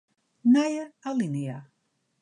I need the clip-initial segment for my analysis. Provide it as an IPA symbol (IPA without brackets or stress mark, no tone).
n